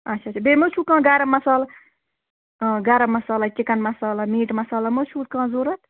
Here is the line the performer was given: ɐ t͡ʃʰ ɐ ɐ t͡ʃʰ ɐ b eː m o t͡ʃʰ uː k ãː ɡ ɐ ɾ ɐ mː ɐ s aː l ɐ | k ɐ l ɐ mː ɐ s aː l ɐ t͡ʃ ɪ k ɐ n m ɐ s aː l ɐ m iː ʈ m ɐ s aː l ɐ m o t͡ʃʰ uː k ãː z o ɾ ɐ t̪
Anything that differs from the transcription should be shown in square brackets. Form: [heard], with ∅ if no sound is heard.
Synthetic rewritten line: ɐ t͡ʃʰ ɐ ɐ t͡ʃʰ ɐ b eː m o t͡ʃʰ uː k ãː ɡ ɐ ɾ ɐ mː ɐ s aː l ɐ | [ɡ] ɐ [ɾ] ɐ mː ɐ s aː l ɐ t͡ʃ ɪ k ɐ n m ɐ s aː l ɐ m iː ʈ m ɐ s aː l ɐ m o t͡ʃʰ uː k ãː z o ɾ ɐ t̪